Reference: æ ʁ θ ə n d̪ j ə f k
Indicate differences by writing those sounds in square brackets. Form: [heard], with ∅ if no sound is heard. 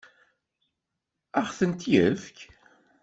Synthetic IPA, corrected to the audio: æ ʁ θ ə n [t̪] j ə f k